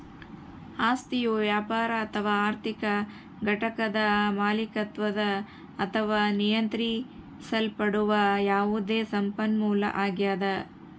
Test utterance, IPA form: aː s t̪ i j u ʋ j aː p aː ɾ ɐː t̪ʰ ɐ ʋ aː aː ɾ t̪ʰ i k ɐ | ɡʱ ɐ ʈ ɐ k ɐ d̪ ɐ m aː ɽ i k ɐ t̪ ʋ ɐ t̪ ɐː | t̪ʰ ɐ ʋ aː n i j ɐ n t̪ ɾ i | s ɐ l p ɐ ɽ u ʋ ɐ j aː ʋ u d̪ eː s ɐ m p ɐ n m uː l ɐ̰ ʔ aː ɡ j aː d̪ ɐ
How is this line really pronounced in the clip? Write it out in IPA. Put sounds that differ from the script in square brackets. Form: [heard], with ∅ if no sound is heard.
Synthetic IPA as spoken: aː s t̪ i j u ʋ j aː p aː ɾ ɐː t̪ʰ ɐ ʋ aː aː ɾ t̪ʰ i k ɐ | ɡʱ ɐ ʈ ɐ k ɐ d̪ ɐ m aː [l] i k ɐ t̪ ʋ ɐ [d̪] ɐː | t̪ʰ ɐ ʋ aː n i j ɐ n t̪ ɾ i | s ɐ l p ɐ ɽ u ʋ ɐ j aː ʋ u d̪ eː s ɐ m p ɐ n m uː l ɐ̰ ʔ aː ɡ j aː d̪ ɐ